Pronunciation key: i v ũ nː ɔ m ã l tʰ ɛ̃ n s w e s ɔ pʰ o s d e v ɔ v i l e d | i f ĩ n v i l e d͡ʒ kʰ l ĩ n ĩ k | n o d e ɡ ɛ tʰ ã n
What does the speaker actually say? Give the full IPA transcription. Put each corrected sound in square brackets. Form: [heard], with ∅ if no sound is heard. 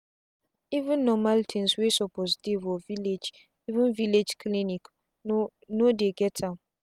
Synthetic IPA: i v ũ nː ɔ m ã l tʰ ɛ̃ n s w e s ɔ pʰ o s d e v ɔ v i l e [d͡ʒ] | i [v] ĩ n v i l e d͡ʒ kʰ l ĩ n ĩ k | n o d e ɡ ɛ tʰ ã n